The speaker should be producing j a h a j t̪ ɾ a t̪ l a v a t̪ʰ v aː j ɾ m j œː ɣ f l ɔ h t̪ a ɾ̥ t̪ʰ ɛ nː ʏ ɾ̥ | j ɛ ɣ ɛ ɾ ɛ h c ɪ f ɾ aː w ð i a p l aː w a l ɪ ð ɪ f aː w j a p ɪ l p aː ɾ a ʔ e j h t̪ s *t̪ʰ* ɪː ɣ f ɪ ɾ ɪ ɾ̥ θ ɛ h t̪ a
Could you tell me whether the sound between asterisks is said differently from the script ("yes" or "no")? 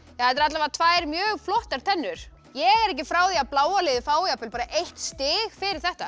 yes